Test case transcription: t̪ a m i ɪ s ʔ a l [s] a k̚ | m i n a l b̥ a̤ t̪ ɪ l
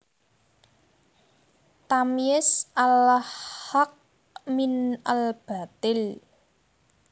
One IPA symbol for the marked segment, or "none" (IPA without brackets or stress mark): h